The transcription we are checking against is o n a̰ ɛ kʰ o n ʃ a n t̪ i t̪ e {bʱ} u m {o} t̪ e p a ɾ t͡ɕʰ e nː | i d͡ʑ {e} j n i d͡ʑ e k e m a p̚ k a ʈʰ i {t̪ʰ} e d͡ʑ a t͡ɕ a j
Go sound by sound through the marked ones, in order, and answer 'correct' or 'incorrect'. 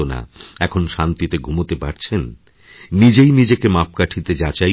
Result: incorrect, correct, correct, incorrect

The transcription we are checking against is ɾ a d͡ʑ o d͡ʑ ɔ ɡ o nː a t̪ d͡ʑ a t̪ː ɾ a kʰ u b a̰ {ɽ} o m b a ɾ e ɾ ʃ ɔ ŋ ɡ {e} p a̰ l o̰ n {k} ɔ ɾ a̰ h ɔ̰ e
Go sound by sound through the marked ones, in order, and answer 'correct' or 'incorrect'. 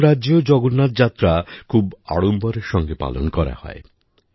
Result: correct, correct, correct

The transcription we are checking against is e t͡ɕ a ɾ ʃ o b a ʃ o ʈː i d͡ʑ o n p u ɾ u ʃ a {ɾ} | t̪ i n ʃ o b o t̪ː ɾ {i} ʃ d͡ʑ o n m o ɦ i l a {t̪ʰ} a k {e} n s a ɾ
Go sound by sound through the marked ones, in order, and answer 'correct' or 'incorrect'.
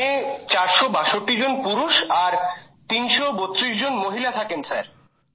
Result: correct, correct, correct, correct

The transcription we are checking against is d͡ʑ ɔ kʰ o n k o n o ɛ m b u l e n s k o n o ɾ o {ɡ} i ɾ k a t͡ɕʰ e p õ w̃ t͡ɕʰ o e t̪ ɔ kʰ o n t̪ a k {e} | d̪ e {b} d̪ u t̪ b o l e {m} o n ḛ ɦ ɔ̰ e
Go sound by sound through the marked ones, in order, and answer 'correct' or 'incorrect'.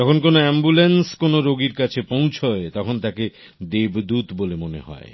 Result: correct, correct, correct, correct

